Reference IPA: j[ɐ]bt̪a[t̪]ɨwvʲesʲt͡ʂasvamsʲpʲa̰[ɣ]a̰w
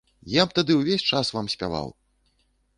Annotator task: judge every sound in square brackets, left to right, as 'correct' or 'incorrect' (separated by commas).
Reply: incorrect, incorrect, incorrect